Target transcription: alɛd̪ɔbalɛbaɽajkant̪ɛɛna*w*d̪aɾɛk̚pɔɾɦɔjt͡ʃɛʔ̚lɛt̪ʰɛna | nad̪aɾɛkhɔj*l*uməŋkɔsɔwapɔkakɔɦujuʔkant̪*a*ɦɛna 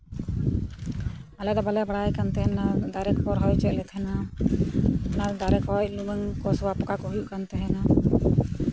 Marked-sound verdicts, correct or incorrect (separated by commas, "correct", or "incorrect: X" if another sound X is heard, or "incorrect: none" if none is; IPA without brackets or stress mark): incorrect: none, correct, incorrect: ɛ